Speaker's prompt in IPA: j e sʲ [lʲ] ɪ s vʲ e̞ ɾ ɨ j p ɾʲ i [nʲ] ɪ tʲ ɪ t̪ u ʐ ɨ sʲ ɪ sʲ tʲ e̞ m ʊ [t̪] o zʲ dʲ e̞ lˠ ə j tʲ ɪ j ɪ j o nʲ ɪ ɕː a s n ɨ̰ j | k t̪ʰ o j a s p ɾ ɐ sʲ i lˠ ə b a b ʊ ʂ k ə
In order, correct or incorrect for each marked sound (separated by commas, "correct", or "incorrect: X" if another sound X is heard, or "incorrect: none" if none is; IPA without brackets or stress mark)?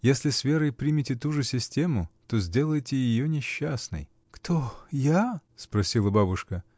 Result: correct, incorrect: mʲ, correct